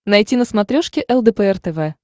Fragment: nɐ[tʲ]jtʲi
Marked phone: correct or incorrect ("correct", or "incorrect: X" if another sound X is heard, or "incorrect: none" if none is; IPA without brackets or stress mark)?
incorrect: none